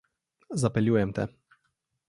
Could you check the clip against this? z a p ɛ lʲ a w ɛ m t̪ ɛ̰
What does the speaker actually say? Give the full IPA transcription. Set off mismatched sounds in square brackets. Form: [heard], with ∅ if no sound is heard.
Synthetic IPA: z a p ɛ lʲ [i] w ɛ m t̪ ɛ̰